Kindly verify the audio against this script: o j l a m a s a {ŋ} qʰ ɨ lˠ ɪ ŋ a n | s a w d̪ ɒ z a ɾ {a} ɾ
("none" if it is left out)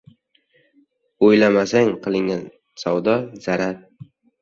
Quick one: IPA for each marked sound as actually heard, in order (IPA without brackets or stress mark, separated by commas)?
ŋ, a